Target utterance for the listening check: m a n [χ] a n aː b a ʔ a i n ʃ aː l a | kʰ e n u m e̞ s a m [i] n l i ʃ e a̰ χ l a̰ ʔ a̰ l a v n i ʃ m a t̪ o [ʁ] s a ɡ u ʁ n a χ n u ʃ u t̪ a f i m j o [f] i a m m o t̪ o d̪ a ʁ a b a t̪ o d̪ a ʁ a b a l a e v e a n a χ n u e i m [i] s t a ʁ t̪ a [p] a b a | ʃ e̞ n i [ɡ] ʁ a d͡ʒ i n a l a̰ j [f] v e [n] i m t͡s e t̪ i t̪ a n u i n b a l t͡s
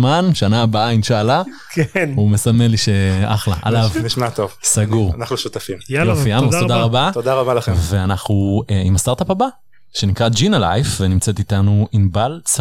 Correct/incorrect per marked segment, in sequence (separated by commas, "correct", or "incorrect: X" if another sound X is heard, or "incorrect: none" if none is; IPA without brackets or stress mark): incorrect: ʃ, incorrect: e, incorrect: v, correct, incorrect: a, correct, incorrect: k, correct, correct